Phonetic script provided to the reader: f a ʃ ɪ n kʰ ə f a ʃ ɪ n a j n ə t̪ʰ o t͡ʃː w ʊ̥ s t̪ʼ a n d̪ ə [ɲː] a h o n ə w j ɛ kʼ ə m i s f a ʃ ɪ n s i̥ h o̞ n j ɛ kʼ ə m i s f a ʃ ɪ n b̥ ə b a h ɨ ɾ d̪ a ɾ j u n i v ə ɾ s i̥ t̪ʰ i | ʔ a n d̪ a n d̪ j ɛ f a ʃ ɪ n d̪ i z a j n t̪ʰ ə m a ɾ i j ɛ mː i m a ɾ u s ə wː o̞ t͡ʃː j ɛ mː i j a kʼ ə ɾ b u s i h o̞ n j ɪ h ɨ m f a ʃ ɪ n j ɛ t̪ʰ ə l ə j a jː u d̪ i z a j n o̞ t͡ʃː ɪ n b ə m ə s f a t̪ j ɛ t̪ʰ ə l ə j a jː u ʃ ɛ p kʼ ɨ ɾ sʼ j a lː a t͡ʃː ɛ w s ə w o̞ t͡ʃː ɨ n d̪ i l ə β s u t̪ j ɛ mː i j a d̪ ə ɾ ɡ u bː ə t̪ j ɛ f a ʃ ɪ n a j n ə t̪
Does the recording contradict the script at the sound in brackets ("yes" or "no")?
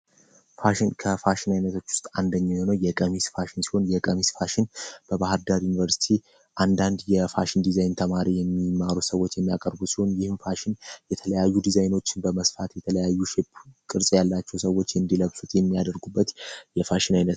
no